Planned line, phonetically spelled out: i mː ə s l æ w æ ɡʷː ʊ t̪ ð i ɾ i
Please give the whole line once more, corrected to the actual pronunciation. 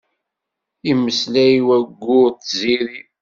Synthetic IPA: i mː ə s l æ w æ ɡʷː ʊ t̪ z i ɾ i